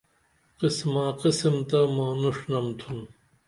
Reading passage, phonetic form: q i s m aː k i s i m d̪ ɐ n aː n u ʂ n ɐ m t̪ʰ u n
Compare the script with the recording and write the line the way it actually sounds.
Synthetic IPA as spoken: q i s m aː q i s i m t̪ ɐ m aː n u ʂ n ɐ m t̪ʰ u n